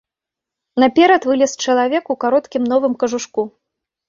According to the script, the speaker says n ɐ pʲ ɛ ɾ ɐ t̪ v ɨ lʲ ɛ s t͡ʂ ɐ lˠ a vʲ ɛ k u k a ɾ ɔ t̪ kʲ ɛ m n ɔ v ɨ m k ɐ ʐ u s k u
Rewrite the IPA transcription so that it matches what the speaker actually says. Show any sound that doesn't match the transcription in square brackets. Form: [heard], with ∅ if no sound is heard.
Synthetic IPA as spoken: n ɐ pʲ ɛ ɾ ɐ t̪ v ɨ lʲ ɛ s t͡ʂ ɐ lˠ a vʲ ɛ k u k a ɾ ɔ t̪ kʲ [i] m n ɔ v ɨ m k ɐ ʐ u [ʂ] k u